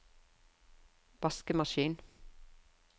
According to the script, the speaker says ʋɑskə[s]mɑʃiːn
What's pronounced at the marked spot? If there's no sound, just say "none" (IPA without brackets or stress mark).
none